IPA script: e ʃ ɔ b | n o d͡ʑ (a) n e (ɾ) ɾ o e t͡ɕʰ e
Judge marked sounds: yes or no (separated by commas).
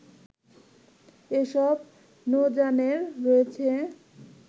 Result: yes, yes